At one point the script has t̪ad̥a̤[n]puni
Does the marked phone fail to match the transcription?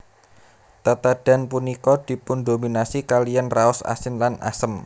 no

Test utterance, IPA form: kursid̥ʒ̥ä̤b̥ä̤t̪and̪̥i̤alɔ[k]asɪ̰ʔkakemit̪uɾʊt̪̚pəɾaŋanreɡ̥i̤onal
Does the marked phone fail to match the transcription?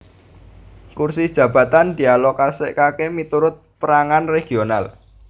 no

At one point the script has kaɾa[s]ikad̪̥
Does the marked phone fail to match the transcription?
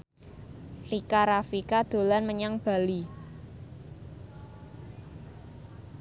yes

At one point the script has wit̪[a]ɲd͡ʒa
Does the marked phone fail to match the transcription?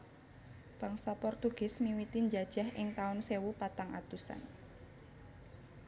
yes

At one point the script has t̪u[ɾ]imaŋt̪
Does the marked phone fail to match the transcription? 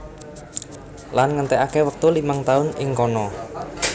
yes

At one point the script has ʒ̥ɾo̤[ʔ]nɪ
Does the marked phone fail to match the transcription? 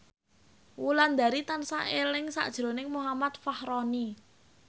yes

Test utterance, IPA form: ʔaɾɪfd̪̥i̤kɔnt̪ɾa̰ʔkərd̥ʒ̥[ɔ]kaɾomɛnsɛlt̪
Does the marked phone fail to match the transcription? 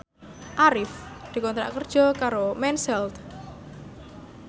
no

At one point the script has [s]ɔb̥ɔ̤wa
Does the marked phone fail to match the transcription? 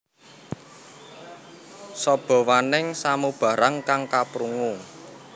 no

